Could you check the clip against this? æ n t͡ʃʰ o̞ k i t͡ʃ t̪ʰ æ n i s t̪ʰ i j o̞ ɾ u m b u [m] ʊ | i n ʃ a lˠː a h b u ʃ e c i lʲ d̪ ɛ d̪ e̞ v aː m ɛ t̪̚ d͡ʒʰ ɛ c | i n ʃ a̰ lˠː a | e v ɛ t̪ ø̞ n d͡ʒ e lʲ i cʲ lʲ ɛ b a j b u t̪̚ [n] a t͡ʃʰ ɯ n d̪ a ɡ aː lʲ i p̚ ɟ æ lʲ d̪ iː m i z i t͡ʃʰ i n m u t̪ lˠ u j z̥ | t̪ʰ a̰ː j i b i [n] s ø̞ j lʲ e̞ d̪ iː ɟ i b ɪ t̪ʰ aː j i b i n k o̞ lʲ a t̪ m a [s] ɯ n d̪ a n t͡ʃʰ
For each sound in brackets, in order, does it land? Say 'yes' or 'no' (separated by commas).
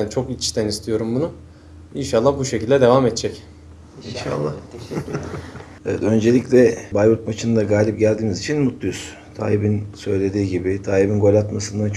no, no, yes, yes